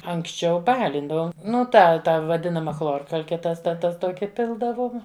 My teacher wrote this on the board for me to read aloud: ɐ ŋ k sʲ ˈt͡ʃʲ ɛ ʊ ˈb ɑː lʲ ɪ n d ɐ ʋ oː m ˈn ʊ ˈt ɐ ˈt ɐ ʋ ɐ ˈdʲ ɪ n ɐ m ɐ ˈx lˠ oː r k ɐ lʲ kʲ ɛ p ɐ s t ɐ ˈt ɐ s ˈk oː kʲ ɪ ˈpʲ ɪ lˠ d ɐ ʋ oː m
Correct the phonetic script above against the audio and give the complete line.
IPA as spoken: ɐ ŋ k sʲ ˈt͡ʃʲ ɛ ʊ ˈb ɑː lʲ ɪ n d ɐ ʋ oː m ˈn ʊ ˈt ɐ ˈt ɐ ʋ ɐ ˈdʲ ɪ n ɐ m ɐ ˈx lˠ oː r k ɐ lʲ kʲ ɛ t ɐ s t ɐ ˈt ɐ s ˈt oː kʲ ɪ ˈpʲ ɪ lˠ d ɐ ʋ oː m